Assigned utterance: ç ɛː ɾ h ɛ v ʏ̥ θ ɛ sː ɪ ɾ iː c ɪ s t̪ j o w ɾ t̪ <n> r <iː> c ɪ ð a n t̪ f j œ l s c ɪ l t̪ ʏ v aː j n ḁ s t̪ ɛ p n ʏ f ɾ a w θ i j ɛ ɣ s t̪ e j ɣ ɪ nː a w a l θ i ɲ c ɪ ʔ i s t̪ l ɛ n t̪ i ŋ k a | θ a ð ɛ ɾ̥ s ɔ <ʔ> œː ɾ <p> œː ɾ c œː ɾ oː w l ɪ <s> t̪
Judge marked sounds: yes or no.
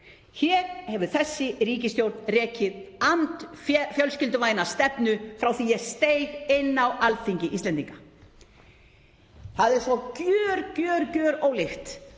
yes, no, no, no, no

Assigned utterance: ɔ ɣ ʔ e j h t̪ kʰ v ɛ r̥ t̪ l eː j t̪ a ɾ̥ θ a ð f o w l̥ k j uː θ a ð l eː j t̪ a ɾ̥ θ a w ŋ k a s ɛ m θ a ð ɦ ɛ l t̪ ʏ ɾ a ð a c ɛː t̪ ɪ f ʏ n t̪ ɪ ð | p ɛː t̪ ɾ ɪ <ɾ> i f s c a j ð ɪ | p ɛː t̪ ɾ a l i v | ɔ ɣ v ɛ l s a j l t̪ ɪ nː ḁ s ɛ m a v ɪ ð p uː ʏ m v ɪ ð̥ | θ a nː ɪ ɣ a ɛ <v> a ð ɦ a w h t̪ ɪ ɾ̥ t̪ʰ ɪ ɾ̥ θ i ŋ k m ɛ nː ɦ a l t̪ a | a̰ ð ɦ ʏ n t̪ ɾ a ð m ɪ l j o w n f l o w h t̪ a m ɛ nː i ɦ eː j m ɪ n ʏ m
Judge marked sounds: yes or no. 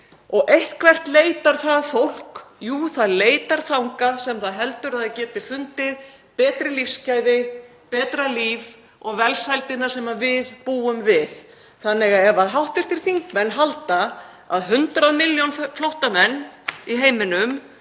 no, yes

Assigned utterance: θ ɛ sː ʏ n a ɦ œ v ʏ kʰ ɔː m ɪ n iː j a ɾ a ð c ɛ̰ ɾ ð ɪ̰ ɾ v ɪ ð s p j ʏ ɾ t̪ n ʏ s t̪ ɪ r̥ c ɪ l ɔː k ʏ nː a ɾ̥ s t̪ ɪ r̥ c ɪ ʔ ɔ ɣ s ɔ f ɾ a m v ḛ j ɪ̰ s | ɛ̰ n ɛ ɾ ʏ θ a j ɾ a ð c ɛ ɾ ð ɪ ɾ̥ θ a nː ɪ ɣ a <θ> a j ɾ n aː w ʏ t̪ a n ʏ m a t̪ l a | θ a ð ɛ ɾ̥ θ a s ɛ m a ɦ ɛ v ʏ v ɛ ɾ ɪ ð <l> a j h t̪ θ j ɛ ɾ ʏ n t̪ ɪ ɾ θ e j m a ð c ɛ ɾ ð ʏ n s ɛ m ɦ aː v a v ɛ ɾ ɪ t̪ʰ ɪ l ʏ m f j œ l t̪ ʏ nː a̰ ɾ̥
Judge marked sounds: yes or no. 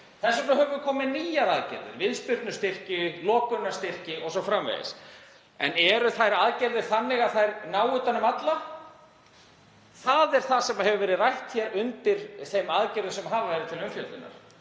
yes, no

